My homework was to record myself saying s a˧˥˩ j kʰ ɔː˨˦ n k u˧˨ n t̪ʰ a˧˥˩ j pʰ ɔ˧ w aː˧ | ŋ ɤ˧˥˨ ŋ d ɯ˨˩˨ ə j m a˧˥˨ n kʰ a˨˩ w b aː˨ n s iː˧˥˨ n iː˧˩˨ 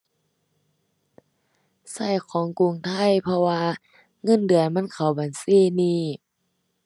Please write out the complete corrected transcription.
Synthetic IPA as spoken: s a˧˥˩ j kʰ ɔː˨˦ ŋ k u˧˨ ŋ t̪ʰ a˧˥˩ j pʰ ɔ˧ w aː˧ | ŋ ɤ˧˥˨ n d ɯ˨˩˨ ə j m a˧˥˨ n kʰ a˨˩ w b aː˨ n s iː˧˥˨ n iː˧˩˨